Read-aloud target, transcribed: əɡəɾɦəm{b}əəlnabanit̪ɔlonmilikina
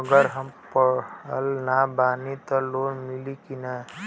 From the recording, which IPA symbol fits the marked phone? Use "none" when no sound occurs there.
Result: p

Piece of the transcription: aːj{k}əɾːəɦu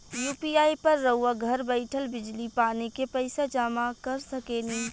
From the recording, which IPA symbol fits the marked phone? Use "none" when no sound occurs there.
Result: p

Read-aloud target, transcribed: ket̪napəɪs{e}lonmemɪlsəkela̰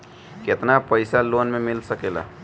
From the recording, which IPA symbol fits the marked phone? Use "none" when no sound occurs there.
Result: a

